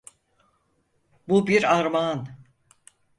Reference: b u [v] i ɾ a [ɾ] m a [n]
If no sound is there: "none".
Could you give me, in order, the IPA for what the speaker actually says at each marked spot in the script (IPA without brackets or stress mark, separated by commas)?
b, ɾ, n